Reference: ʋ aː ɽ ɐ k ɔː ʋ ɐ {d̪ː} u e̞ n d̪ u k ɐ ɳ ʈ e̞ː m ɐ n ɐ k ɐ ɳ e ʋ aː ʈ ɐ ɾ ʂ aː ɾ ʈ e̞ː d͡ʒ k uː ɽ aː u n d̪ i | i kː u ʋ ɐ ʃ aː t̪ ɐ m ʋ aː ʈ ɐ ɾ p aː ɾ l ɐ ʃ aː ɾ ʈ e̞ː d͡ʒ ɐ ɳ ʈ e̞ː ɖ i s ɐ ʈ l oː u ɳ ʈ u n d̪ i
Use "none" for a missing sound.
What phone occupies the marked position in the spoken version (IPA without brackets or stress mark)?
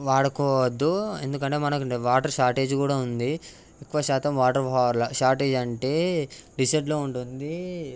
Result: d̪ː